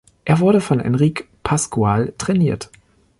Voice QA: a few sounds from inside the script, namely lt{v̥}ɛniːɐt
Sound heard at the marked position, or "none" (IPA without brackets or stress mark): ʁ̥